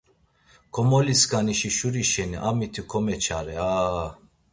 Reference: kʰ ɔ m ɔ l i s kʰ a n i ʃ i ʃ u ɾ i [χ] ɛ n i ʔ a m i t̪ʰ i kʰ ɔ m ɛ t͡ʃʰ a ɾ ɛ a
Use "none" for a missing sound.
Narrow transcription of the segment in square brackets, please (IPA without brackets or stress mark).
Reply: ʃ